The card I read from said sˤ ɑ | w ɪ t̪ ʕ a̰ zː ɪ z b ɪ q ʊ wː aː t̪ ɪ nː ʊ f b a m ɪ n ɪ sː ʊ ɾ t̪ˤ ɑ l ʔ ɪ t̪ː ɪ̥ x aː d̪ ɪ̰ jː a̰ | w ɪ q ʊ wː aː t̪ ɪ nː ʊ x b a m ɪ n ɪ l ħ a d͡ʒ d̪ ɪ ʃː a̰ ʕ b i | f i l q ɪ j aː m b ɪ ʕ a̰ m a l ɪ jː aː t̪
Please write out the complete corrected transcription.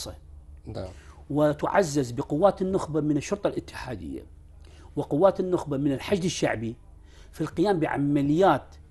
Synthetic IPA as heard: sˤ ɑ | w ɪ t̪ ʕ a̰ zː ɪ z b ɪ q ʊ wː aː t̪ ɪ nː ʊ x b a m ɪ n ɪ ʃː ʊ ɾ t̪ˤ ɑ l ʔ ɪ t̪ː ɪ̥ ħ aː d̪ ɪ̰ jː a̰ | w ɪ q ʊ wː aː t̪ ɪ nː ʊ x b a m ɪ n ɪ l ħ a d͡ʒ d̪ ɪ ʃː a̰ ʕ b i | f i l q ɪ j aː m b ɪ ʕ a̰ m a l ɪ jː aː t̪